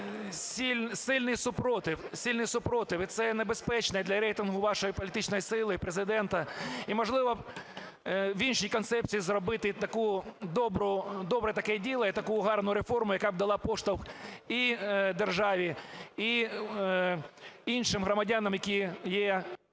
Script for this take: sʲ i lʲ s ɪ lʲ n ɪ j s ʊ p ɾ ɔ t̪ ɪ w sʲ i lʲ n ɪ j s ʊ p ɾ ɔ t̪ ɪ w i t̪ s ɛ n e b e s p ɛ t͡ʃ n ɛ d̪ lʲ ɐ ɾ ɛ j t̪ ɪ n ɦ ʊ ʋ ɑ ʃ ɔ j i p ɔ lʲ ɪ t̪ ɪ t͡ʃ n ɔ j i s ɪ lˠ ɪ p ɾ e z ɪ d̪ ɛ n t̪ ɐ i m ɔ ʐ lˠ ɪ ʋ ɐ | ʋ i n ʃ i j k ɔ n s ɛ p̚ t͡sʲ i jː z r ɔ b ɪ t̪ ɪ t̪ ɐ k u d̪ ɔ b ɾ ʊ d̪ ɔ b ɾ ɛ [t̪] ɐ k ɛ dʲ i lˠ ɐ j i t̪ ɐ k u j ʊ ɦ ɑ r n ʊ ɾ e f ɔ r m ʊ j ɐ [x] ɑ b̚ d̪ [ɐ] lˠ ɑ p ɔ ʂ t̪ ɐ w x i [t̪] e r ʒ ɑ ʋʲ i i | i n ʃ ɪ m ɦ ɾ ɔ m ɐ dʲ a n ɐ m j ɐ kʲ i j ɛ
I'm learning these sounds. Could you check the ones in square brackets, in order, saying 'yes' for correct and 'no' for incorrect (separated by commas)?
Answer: yes, no, yes, no